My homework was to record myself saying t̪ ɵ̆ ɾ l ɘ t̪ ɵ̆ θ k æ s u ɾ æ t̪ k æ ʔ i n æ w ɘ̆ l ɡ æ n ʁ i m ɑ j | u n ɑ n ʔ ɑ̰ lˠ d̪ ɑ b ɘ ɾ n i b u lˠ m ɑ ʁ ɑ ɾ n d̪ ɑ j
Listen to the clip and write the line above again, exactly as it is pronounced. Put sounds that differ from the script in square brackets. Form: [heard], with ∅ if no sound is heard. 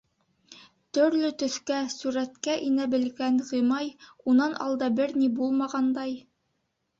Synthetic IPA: t̪ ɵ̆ ɾ l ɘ t̪ ɵ̆ θ k æ s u ɾ æ t̪ k æ ʔ i n æ [b] ɘ̆ l ɡ æ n ʁ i m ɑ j | u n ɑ n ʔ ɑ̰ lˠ d̪ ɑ b ɘ ɾ n i b u lˠ m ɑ ʁ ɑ [∅] n d̪ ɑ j